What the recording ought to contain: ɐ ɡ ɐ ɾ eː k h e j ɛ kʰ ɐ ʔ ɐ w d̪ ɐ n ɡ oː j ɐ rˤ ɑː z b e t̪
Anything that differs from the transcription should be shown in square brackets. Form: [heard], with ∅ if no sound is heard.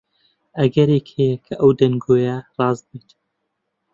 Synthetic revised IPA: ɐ ɡ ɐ ɾ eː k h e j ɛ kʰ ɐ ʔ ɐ w d̪ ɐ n ɡ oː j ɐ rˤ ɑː z b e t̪